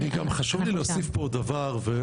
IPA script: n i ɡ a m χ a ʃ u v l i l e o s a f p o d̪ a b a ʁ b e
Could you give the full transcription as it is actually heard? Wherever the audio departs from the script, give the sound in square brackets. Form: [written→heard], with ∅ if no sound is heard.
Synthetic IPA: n i ɡ a m χ a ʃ u v l i l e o s [a→i] f p o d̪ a [b→v] a ʁ [b→v] e